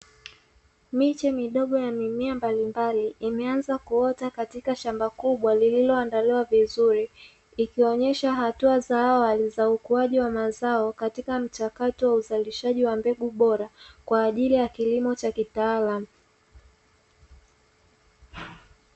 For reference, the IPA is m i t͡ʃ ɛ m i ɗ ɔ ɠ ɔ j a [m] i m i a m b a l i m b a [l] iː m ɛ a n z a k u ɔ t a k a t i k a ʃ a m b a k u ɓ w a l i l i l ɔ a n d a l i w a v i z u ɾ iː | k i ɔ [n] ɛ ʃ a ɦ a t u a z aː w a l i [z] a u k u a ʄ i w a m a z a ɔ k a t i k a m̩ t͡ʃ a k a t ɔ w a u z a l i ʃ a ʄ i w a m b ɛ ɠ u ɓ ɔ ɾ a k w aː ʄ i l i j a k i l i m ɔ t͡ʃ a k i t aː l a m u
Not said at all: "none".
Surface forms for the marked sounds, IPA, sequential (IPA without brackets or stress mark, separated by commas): m, l, ɲ, z